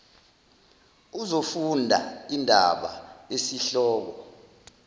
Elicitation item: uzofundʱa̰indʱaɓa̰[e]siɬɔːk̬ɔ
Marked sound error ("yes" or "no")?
no